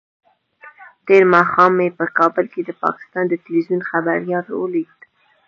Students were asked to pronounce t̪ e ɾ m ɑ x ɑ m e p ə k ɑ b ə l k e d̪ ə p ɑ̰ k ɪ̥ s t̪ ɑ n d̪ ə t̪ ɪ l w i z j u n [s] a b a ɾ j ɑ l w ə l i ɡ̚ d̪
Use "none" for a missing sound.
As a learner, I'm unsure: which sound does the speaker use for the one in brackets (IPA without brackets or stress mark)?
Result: x